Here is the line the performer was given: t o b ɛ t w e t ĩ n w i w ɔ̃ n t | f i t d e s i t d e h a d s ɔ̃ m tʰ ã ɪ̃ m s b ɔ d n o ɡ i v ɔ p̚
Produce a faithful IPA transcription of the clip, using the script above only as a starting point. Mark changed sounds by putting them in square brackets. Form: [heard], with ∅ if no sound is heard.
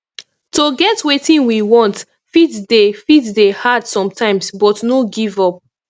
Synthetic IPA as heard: t o [ɡ] ɛ t w e t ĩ n w i w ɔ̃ n t | f i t d e [f] i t d e h a d s ɔ̃ m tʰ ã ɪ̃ m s b ɔ [t] n o ɡ i v ɔ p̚